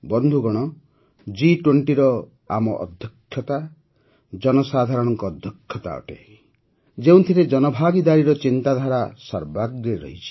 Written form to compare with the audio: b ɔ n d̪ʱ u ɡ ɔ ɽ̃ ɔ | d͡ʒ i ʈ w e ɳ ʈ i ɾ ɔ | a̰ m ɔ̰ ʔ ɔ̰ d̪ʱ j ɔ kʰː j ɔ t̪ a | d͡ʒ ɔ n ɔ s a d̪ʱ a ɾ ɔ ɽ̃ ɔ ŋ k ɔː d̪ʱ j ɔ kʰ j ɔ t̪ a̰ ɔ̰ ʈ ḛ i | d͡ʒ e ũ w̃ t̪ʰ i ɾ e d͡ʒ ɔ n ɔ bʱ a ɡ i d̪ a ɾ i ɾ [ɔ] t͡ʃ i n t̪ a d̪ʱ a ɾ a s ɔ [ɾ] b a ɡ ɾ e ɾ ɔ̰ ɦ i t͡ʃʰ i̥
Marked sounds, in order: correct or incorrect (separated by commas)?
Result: correct, correct